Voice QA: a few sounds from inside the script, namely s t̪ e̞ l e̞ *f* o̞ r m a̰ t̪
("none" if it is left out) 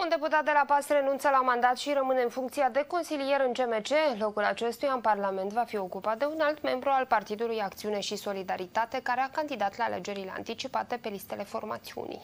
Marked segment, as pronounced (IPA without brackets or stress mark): f